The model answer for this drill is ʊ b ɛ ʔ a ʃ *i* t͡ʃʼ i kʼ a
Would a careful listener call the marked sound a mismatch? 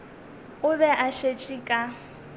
yes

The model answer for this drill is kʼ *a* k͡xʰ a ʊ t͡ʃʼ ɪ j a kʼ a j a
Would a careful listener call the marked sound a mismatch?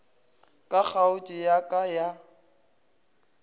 no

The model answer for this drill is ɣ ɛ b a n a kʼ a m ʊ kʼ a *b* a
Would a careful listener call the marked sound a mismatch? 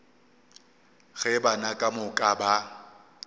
no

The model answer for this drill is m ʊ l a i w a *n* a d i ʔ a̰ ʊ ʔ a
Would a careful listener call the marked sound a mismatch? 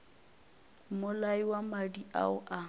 yes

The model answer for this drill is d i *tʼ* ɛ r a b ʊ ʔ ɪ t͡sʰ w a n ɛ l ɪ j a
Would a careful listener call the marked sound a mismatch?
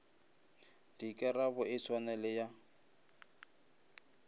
yes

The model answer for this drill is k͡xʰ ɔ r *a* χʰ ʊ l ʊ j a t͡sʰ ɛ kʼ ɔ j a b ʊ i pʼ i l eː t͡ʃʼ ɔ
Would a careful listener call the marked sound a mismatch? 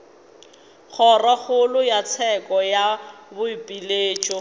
no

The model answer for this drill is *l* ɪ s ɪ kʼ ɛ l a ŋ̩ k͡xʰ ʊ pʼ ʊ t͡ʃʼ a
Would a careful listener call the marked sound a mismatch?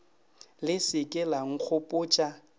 no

